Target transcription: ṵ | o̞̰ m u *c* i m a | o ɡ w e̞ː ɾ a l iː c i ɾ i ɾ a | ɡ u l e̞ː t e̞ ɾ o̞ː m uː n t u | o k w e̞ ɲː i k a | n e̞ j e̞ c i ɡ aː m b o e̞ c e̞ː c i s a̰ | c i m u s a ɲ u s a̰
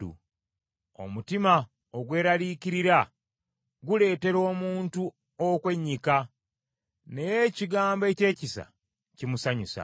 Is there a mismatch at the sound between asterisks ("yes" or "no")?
yes